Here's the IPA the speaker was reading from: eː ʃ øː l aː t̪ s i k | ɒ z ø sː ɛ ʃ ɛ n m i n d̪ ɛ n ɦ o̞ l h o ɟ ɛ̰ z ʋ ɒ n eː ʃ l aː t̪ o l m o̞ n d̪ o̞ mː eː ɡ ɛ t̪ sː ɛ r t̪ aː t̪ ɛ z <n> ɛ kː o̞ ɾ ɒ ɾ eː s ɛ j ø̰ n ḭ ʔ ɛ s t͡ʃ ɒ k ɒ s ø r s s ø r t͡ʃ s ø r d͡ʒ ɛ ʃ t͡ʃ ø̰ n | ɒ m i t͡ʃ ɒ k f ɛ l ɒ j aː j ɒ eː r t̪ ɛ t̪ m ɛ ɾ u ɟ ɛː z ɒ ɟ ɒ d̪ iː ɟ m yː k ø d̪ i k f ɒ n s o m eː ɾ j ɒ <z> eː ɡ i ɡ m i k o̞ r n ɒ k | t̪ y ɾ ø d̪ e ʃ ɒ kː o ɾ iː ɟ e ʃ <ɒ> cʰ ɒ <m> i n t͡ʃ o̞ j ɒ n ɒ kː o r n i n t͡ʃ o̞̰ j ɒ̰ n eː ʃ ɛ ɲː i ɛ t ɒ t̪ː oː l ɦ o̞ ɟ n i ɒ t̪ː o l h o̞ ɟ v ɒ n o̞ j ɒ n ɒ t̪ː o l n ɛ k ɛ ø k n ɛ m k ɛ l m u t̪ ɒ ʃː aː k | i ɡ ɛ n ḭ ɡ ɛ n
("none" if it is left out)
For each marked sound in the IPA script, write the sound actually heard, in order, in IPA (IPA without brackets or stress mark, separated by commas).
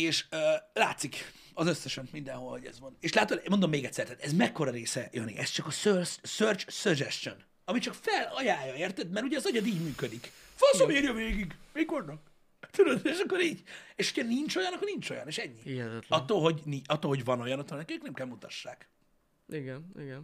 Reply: m, v, o, n